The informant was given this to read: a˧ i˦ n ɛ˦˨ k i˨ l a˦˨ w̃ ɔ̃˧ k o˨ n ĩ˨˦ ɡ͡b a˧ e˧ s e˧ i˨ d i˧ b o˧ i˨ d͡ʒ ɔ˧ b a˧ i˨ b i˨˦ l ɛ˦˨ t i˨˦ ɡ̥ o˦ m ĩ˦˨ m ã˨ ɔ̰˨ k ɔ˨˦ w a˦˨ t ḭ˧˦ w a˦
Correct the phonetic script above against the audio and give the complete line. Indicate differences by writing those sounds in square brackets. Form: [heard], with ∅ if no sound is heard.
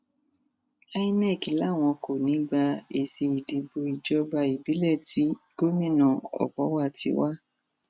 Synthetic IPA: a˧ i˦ n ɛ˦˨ k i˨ l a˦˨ w̃ ɔ̃˧ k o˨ n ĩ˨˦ ɡ͡b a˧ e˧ s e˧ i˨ d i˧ b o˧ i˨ d͡ʒ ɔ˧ b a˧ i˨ b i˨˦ l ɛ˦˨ t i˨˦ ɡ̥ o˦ m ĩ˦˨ [n] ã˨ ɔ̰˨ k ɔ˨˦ w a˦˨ t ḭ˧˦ w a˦